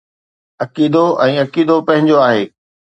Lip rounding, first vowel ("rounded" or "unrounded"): unrounded